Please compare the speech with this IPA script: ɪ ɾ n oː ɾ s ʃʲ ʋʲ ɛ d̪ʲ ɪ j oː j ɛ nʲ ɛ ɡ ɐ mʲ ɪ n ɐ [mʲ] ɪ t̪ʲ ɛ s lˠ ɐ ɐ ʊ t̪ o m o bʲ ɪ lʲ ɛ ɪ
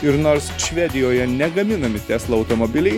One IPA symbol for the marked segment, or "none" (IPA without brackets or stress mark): mʲ